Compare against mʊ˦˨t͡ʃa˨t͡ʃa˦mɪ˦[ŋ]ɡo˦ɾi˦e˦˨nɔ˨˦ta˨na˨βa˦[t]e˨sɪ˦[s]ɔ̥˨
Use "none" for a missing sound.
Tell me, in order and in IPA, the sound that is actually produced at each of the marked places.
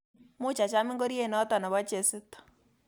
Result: ŋ, t͡ʃ, t

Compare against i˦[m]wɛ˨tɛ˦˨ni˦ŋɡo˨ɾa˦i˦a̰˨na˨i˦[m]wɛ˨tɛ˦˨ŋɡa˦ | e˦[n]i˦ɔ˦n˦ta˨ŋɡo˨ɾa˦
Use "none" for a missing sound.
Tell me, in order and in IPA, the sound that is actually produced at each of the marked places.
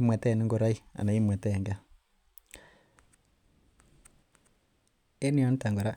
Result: m, m, n

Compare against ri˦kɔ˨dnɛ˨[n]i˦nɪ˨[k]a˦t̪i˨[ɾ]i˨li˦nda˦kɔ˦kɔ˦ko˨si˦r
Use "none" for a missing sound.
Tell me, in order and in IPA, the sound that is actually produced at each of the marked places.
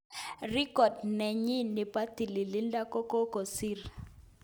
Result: ɲ, p, l

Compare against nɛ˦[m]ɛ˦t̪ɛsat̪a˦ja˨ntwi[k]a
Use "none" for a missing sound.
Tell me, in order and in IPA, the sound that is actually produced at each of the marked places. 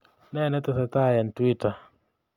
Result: n, t

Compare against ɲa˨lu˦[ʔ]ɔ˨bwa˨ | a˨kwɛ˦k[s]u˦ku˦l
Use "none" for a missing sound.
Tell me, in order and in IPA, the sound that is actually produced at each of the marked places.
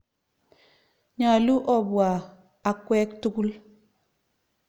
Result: ʔ, t

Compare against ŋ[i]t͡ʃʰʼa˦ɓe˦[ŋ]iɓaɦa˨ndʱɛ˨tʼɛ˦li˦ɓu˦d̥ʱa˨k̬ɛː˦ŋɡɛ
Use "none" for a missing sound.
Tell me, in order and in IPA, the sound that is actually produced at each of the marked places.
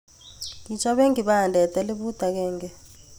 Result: i, ŋ

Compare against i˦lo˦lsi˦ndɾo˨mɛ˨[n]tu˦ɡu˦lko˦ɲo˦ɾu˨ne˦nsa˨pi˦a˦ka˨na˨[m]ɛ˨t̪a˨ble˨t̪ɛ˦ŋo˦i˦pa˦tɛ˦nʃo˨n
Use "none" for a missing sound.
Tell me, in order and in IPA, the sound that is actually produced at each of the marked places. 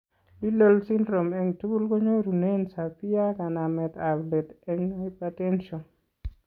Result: ŋ, m

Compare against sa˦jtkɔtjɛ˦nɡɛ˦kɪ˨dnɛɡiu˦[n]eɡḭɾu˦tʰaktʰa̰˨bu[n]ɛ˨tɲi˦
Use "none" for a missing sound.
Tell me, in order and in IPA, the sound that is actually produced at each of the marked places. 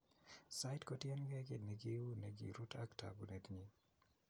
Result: n, n

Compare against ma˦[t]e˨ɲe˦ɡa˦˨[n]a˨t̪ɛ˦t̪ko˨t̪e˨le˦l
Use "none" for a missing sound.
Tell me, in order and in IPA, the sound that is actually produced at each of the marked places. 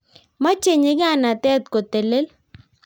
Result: t͡ʃ, n

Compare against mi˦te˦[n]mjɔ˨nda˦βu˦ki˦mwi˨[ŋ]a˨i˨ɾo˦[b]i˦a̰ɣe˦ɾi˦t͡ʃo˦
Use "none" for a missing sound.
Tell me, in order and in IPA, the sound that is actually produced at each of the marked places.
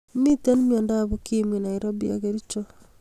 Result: n, n, b

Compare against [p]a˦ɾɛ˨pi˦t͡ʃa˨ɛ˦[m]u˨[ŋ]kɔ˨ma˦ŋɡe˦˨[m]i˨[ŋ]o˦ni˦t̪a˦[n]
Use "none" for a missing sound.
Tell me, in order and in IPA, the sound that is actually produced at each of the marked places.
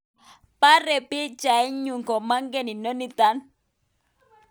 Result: p, ɲ, ŋ, n, n, n

